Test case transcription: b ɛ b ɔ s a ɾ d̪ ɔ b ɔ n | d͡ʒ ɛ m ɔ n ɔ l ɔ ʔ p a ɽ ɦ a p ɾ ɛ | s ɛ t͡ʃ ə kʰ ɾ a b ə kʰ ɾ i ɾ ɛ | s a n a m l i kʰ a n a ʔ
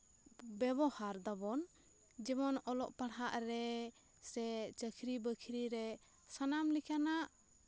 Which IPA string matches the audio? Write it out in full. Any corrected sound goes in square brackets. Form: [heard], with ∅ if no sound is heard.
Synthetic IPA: b ɛ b ɔ [h] a ɾ d̪ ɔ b ɔ n | d͡ʒ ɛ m ɔ n ɔ l ɔ ʔ p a ɽ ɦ a [ʔ] ɾ ɛ | s ɛ t͡ʃ ə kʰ ɾ [i] b ə kʰ ɾ i ɾ ɛ | s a n a m l i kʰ a n a ʔ